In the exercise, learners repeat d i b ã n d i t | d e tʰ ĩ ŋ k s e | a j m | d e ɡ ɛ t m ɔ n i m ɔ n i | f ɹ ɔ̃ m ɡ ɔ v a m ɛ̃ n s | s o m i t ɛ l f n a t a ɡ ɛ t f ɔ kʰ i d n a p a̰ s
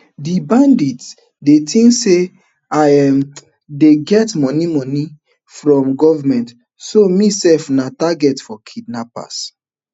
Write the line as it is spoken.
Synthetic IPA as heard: d i b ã n d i t | d e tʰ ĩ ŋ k s e | a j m | d e ɡ ɛ t m ɔ n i m ɔ n i | f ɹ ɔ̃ m ɡ ɔ v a m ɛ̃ n t | s o m i s ɛ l f n a t a ɡ ɛ t f ɔ kʰ i d n a p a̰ s